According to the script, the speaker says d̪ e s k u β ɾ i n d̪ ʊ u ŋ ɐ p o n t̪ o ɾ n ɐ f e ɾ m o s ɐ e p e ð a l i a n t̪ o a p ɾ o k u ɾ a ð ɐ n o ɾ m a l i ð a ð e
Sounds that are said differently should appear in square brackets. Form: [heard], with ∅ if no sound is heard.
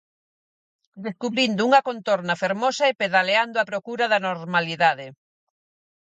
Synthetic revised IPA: d̪ e s k u β ɾ i n d̪ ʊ u ŋ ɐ [k] o n t̪ o ɾ n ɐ f e ɾ m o s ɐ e p e ð a l [e] a n [d̪] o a p ɾ o k u ɾ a ð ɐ n o ɾ m a l i ð a ð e